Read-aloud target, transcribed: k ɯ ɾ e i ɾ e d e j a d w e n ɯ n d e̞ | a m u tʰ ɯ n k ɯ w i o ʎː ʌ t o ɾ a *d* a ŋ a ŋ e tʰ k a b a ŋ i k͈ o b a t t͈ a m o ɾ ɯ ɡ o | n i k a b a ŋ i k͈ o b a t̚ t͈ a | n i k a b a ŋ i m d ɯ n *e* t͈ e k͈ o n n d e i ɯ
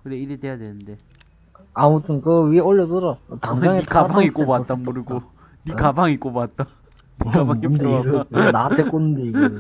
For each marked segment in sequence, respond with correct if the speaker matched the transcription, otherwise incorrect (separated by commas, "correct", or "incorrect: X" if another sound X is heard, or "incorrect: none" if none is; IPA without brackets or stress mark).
incorrect: t, incorrect: a